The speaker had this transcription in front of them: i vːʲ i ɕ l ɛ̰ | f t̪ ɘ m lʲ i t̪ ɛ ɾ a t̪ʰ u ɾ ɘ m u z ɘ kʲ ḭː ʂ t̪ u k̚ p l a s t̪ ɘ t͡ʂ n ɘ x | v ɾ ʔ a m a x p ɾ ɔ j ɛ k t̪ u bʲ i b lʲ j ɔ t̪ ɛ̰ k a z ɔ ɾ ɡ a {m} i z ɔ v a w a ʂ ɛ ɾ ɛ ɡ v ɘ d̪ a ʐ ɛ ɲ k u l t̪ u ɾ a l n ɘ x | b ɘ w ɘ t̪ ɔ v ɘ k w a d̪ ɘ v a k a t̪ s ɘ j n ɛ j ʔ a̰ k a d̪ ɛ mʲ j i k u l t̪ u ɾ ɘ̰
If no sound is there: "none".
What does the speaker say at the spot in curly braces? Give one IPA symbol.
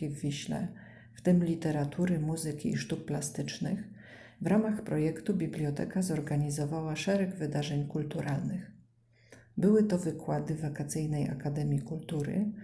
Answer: ɲ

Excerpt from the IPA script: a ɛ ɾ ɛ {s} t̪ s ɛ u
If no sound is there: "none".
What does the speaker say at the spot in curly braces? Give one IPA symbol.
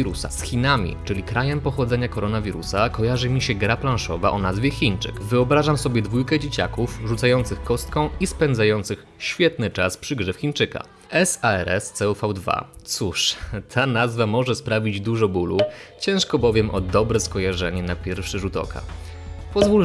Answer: s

